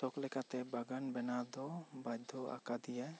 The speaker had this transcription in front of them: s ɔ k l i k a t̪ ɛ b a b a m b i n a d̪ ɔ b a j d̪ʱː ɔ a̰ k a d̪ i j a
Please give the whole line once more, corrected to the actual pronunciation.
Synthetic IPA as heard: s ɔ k l ɛ k a t̪ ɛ b a ɡ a n b ɛ n a d̪ ɔ b a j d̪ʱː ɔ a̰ k a d̪ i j a